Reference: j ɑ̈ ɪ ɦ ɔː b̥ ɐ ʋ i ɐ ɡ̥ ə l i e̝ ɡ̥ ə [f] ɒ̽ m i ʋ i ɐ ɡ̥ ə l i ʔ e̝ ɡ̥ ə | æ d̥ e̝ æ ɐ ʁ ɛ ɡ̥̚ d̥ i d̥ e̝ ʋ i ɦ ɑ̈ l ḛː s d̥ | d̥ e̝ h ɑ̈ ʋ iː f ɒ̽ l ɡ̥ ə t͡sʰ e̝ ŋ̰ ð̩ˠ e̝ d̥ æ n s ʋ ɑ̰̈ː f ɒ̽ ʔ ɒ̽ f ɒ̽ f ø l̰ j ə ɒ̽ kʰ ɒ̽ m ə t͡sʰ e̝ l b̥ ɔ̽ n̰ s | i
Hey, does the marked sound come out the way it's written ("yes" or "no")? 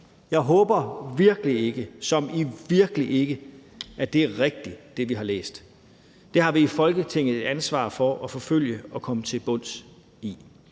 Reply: no